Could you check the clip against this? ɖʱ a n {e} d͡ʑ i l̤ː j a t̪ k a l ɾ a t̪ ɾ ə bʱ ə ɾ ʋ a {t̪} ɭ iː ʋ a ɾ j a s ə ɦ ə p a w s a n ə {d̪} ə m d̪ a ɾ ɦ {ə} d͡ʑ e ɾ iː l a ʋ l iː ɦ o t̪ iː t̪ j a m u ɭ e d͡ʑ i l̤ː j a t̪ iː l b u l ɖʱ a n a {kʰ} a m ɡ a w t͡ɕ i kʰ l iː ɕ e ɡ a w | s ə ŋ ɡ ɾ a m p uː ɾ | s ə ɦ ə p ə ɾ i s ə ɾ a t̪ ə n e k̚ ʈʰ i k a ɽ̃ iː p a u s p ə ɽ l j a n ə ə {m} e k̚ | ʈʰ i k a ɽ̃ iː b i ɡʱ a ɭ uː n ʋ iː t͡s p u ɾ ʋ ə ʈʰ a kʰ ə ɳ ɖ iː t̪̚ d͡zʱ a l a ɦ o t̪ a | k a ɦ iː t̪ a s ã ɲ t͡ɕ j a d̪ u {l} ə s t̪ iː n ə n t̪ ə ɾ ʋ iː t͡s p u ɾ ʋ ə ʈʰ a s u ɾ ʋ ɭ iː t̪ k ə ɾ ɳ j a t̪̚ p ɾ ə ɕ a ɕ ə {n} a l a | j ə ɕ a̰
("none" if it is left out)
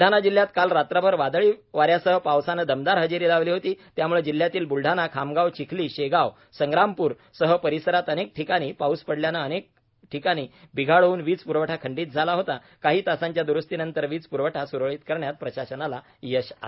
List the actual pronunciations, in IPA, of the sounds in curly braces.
a, d̪, d̪, ə, kʰ, n, ɾ, n

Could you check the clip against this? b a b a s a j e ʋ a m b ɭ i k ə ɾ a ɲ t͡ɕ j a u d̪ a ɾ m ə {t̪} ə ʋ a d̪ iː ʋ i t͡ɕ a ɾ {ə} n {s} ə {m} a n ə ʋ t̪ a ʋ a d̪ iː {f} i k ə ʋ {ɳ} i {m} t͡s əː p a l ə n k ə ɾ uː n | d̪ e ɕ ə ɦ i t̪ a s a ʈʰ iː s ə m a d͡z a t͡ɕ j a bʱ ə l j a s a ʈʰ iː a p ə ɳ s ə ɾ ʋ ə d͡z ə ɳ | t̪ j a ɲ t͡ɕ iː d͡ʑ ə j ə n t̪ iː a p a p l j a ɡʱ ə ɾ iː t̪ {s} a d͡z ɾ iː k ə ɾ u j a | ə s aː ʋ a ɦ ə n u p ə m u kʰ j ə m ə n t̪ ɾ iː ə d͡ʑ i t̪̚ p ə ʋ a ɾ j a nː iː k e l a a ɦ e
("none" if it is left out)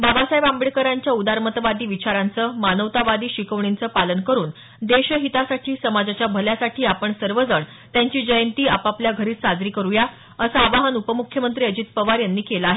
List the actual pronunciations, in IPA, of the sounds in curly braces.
t̪, a, t͡s, m, ɕ, ɳ, n, s

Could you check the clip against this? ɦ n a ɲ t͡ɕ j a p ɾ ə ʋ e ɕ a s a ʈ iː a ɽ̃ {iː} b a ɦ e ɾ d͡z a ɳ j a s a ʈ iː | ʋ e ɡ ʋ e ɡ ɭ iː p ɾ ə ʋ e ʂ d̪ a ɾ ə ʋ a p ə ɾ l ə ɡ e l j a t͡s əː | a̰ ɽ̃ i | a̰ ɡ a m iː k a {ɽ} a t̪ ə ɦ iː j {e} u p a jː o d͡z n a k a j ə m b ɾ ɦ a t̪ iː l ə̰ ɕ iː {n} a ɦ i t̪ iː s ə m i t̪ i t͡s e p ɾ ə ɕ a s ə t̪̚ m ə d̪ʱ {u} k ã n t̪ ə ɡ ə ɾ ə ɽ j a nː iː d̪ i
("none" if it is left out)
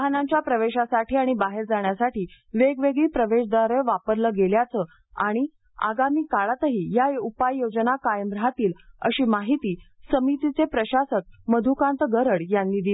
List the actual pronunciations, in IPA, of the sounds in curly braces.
i, ɭ, a, m, u

